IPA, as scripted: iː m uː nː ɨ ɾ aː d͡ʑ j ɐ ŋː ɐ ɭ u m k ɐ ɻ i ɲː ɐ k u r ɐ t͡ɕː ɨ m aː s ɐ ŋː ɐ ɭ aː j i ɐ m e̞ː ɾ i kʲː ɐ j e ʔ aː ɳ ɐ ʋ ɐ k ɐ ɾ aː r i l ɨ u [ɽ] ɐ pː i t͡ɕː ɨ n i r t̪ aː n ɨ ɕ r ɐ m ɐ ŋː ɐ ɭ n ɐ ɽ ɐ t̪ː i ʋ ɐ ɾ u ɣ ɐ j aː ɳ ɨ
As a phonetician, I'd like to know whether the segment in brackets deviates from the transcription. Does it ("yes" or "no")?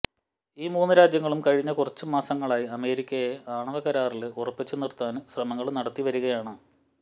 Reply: yes